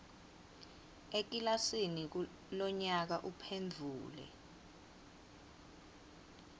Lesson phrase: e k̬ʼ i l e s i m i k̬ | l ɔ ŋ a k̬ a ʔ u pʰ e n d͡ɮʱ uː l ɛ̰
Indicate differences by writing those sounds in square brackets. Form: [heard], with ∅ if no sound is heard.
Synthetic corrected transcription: e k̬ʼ i l [a] s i [n] i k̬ | l ɔ [ɲ] a k̬ a ʔ u pʰ e n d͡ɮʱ uː l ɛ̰